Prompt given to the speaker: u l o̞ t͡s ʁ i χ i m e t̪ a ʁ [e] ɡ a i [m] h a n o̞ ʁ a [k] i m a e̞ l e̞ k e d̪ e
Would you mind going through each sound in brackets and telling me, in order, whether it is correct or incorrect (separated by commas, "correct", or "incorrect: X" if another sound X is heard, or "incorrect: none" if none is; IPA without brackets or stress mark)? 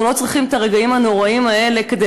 correct, correct, incorrect: none